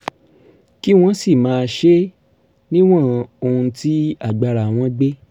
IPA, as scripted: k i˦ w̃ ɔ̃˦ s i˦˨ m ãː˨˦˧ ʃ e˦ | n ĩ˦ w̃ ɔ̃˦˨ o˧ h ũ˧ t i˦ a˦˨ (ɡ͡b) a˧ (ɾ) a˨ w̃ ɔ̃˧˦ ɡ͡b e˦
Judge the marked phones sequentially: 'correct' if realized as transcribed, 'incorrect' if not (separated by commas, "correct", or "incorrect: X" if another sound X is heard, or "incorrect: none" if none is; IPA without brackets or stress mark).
correct, correct